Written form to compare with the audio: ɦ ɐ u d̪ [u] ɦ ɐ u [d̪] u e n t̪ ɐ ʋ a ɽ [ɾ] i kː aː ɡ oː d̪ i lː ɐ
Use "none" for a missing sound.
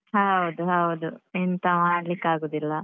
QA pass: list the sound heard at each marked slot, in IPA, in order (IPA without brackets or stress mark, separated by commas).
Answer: u, d̪, l